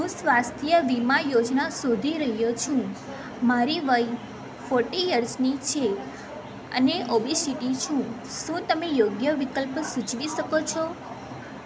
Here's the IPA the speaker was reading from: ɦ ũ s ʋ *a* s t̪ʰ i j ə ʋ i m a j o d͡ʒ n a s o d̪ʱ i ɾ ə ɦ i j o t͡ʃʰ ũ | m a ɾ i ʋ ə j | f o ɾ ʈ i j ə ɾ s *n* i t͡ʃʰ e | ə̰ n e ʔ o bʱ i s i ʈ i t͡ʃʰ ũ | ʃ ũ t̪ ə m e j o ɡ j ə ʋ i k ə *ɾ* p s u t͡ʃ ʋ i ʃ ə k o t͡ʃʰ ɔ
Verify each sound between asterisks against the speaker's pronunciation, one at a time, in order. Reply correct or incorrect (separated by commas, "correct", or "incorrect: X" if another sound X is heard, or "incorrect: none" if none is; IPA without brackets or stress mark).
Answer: correct, correct, incorrect: l